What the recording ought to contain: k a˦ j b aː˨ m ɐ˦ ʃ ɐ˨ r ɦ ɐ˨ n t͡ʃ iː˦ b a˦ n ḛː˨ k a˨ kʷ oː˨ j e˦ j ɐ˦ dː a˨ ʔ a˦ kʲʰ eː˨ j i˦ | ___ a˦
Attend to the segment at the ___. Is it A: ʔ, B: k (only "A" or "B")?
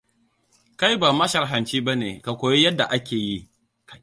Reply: B